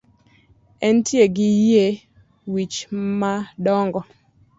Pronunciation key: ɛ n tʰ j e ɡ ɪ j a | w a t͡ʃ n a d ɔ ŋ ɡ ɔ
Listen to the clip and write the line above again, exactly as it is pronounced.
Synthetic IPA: ɛ n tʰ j e ɡ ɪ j e | w i t͡ʃ m a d ɔ ŋ ɡ ɔ

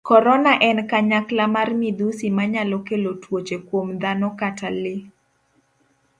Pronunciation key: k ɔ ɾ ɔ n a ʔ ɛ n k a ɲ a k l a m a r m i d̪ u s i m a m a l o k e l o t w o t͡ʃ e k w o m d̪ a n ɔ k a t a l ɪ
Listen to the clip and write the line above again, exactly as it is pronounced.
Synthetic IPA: k ɔ ɾ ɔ n a ʔ ɛ n k a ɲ a k l a m a r m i d̪ u s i m a ɲ a l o k e l o t w o t͡ʃ e k w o m d̪ a n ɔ k a t a l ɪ

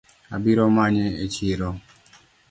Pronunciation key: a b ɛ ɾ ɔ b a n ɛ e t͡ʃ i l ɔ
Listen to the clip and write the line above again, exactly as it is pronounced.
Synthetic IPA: a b i ɾ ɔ m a ɲ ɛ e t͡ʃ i ɾ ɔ

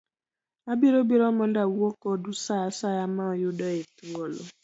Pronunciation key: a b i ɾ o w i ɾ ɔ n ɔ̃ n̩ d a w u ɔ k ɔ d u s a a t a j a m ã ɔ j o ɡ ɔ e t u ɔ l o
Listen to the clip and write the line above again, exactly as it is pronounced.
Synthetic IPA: a b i ɾ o b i ɾ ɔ m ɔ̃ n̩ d a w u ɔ k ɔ d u s a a s a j a m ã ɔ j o d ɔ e t u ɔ l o

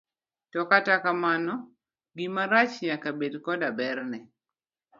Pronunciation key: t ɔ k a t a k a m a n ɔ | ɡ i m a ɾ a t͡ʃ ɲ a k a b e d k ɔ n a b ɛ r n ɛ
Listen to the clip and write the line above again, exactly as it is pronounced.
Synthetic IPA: t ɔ k a t a k a m a n ɔ | ɡ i m a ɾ a t͡ʃ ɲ a k a b e d k ɔ d a b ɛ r n ɛ

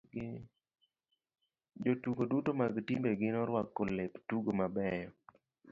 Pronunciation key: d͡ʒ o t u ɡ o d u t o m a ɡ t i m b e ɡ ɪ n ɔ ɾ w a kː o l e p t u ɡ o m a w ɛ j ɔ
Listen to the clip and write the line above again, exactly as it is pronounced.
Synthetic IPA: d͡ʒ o t u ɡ o d u t o m a ɡ t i m b e ɡ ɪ n ɔ ɾ w a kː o l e p t u ɡ o m a b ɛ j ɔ

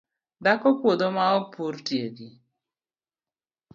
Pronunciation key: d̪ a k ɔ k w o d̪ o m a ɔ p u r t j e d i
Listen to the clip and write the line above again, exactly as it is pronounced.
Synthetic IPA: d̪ a k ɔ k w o d̪ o m a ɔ p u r t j e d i

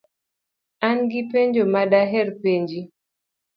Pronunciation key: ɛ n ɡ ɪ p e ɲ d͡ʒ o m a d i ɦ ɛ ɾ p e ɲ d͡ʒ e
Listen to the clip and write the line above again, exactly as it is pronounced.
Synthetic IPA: a n ɡ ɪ p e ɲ d͡ʒ o m a d a ɦ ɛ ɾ p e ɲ d͡ʒ i

